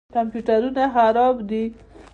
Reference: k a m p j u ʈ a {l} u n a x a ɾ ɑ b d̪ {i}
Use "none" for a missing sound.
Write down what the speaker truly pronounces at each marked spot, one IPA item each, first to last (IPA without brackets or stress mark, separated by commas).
ɾ, i